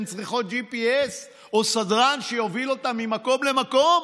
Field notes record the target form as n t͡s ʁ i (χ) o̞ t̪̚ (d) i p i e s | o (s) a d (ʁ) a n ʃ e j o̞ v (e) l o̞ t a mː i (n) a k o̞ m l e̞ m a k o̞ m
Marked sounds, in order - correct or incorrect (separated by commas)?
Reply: correct, incorrect, correct, correct, incorrect, incorrect